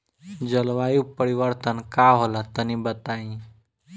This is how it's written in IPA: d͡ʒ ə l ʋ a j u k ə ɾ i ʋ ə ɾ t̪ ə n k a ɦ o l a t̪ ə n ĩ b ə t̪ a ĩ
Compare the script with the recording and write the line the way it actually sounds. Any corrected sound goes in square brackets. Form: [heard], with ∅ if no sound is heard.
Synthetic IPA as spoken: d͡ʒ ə l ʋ a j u [p] ə ɾ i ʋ ə ɾ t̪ ə n k a ɦ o l a t̪ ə n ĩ b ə t̪ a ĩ